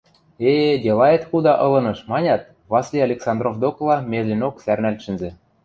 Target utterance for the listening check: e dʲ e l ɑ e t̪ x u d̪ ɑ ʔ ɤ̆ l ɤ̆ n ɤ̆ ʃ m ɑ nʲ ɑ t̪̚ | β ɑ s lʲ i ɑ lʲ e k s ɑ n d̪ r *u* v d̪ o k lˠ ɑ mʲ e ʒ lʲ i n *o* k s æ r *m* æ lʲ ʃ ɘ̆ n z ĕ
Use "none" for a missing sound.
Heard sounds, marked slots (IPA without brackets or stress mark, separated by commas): o, o, n